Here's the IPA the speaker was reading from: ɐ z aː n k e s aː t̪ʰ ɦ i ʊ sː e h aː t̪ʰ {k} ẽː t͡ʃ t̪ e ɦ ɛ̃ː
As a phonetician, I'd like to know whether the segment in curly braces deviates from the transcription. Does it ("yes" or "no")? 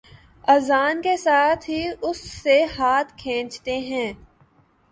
yes